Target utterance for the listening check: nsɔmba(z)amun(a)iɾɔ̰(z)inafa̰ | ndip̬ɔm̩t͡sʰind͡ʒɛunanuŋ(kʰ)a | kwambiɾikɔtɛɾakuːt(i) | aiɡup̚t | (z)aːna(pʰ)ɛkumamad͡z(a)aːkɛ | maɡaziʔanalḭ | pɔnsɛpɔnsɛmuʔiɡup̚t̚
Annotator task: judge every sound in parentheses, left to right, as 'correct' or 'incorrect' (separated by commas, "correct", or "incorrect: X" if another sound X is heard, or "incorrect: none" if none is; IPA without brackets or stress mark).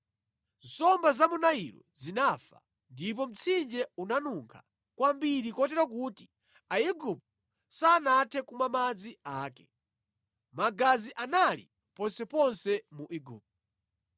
correct, correct, correct, correct, correct, incorrect: s, incorrect: tʰ, incorrect: i